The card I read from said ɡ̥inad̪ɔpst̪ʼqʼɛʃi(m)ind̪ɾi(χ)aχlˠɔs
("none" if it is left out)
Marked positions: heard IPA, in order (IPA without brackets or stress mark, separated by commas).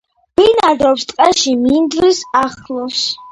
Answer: m, s